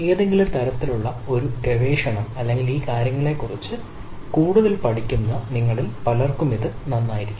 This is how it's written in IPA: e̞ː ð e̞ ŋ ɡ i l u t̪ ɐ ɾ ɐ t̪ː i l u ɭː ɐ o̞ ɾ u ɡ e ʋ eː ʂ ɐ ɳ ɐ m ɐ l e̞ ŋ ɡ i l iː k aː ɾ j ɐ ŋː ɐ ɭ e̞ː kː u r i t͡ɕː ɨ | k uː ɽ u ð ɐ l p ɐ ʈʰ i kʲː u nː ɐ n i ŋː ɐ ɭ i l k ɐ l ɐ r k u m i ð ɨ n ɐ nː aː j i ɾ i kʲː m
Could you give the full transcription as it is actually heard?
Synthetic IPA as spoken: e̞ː ð e̞ ŋ ɡ i l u t̪ ɐ ɾ ɐ t̪ː i l u ɭː ɐ o̞ ɾ u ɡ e ʋ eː ʂ ɐ ɳ ɐ m ɐ lː e̞ ŋ ɡ i l iː k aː ɾ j ɐ ŋː ɐ ɭ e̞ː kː u r i t͡ɕː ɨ | k uː ɽ u ð ɐ l p ɐ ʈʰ i kʲː u nː ɐ n i ŋː ɐ ɭ i l p ɐ l ɐ r k u m i ð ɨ n ɐ nː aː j i ɾ i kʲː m